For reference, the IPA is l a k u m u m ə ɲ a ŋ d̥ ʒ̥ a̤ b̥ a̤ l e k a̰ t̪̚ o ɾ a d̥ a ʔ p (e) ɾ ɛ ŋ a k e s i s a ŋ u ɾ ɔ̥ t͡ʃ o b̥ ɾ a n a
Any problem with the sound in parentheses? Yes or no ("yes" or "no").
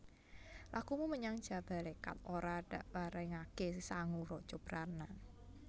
yes